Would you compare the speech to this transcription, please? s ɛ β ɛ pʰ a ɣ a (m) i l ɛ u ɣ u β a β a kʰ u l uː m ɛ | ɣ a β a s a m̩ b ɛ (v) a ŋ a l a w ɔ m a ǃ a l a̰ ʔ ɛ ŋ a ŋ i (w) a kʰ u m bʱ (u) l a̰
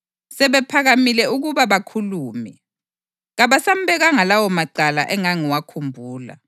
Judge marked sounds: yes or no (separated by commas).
yes, no, yes, no